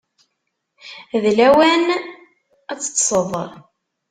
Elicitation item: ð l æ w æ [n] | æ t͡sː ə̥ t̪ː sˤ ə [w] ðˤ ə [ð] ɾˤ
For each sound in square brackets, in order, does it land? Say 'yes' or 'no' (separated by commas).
yes, no, no